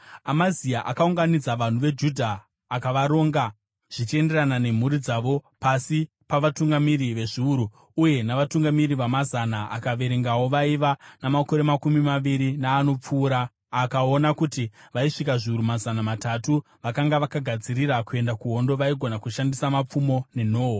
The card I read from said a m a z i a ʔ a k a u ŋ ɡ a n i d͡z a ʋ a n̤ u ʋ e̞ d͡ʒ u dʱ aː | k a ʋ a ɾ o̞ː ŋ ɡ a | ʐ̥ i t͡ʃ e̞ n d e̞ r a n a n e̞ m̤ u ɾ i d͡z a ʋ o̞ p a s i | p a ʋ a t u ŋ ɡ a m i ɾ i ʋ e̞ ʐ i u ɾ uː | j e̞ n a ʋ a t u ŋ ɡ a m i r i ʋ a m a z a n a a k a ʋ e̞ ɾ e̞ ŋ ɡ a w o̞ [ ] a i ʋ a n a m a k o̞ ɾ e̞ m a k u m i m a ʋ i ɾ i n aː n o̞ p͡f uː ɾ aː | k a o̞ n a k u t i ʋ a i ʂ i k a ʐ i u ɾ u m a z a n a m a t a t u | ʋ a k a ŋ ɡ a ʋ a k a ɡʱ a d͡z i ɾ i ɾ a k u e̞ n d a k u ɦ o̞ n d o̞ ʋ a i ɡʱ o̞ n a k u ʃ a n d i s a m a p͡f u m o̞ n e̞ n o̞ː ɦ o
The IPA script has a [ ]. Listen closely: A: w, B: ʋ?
B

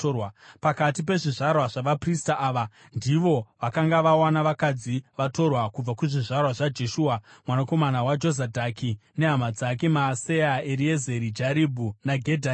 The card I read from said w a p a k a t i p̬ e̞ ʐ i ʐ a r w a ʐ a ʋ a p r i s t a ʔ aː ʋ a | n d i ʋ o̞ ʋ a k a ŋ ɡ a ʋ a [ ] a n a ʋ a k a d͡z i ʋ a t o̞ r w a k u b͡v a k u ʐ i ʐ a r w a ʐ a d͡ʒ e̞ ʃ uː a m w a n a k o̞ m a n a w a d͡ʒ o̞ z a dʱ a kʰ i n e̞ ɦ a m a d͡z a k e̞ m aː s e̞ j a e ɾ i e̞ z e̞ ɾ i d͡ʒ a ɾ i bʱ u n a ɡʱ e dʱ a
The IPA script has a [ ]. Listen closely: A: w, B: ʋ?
A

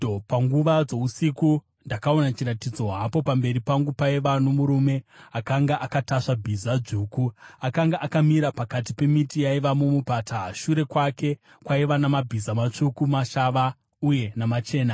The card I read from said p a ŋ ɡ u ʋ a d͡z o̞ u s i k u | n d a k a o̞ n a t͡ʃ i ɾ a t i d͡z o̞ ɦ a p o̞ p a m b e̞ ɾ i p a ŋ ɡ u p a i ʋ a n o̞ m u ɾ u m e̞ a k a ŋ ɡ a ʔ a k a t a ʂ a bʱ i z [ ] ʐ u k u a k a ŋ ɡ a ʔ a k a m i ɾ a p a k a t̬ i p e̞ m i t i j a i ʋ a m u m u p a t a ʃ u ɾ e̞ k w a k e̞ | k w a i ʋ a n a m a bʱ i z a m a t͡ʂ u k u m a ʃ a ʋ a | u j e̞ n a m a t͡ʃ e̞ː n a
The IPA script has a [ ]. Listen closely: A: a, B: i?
A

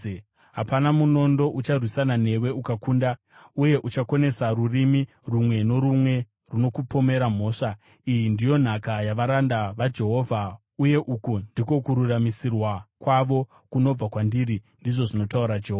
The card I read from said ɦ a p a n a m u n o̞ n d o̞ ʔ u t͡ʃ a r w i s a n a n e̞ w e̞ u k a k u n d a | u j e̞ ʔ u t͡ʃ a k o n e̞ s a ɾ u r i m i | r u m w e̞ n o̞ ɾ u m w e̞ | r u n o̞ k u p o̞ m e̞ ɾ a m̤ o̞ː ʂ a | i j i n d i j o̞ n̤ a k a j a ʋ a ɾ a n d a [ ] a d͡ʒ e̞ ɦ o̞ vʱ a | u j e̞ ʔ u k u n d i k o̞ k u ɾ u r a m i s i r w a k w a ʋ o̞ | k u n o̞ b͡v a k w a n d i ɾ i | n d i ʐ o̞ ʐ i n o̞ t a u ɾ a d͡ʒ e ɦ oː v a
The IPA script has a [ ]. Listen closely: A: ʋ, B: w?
A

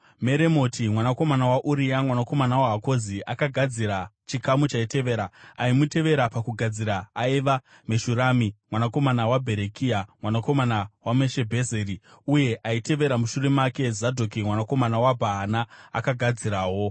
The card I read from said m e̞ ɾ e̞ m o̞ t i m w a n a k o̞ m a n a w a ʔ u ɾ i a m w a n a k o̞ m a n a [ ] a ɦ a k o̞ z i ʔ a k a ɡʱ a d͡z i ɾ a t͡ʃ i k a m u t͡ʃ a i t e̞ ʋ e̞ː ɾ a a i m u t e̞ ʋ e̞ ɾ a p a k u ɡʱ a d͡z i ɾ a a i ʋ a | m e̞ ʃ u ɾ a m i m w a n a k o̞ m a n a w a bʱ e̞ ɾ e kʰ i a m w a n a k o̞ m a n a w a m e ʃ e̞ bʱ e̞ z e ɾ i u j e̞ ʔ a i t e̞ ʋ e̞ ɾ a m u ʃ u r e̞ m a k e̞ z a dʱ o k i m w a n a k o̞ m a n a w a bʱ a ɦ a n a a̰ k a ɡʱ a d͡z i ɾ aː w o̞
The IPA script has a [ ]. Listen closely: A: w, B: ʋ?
A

